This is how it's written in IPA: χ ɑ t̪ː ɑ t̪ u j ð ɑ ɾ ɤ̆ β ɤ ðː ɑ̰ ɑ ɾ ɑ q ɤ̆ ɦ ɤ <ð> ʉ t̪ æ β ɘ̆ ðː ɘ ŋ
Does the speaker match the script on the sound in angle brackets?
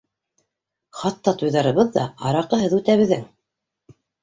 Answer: yes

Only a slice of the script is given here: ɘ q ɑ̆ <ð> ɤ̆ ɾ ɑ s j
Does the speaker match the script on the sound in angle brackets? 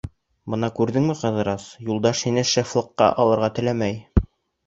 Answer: yes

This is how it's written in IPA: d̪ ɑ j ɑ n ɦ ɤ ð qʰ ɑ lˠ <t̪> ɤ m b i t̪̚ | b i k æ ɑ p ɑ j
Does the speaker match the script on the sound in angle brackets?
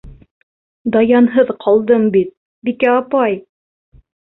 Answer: no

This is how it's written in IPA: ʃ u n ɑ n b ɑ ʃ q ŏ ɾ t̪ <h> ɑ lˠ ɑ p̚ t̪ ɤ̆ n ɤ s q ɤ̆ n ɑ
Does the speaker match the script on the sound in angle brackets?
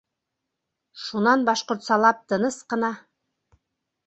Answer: no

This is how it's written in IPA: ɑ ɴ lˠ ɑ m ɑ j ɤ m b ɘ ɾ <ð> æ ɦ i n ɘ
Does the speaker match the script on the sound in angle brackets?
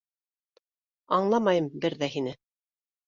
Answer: yes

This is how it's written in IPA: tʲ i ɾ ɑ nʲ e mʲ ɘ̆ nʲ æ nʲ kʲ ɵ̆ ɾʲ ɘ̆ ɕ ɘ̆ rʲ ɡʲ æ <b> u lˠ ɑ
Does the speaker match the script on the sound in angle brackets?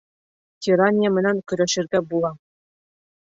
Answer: yes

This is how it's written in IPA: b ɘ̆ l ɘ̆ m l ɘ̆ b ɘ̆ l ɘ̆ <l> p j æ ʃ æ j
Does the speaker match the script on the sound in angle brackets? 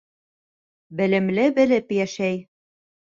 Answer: no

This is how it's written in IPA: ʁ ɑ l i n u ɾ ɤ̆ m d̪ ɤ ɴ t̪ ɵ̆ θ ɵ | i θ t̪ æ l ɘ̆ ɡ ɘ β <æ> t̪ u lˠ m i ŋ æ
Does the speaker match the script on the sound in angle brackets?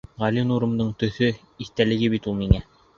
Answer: no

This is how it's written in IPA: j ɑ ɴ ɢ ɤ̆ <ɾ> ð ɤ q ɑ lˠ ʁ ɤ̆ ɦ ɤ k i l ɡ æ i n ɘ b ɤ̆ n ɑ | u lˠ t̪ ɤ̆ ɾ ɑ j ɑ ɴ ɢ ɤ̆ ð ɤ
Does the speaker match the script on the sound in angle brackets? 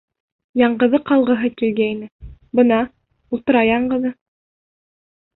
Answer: no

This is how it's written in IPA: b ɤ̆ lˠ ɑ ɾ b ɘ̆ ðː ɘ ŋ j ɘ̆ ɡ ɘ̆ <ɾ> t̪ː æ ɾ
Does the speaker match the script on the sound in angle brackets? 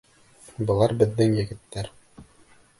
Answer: no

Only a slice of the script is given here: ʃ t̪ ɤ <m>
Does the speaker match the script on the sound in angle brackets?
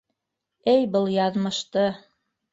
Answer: no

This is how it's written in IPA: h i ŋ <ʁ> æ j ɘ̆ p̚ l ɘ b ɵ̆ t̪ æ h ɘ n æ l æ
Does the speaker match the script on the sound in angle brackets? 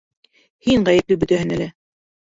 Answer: yes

